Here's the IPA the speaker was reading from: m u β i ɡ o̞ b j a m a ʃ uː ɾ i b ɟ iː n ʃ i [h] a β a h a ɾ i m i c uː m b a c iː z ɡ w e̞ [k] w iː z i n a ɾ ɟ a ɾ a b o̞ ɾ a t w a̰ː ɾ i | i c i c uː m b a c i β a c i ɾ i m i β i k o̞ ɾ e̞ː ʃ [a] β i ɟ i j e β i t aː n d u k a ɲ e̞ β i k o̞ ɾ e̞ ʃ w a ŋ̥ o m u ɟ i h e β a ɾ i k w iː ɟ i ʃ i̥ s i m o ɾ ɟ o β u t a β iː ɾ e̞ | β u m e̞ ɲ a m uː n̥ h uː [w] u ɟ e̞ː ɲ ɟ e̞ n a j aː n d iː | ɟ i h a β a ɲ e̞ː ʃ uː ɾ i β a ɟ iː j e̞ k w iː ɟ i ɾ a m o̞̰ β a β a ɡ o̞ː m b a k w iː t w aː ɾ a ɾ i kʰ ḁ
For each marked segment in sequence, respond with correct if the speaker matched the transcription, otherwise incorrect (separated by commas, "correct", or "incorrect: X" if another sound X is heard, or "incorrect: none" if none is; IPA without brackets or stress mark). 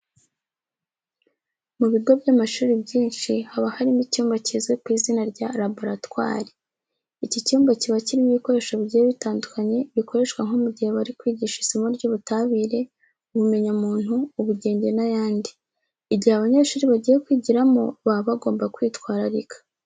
correct, correct, correct, incorrect: β